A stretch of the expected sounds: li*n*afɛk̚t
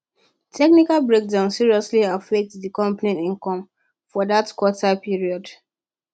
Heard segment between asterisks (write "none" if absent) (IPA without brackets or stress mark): none